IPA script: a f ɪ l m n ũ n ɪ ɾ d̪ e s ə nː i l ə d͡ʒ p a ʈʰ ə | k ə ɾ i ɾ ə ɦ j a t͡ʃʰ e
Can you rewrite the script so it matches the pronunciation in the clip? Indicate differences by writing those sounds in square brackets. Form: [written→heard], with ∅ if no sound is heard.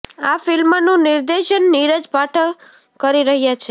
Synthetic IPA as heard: a f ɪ l m n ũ n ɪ ɾ d̪ e [s→ʃ] ə nː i [l→ɾ] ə d͡ʒ p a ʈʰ ə | k ə ɾ i ɾ ə ɦ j a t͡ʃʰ e